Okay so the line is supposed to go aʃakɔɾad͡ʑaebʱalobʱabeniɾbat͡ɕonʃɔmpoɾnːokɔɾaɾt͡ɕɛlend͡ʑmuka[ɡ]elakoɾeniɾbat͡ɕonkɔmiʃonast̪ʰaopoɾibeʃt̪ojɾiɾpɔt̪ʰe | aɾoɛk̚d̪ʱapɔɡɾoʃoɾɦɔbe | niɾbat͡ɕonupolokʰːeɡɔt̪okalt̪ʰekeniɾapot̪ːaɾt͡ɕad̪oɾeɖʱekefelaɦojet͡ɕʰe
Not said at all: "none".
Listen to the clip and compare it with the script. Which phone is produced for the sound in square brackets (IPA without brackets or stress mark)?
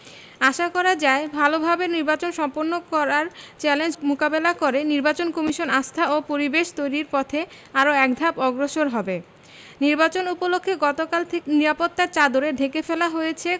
b